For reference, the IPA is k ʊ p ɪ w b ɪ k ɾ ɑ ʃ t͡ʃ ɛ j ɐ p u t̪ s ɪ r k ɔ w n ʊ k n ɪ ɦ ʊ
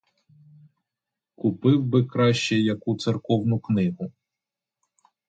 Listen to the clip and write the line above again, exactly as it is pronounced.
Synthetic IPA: k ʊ p ɪ w b ɪ k ɾ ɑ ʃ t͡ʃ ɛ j ɐ k u t̪ s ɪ r k ɔ w n ʊ k n ɪ ɦ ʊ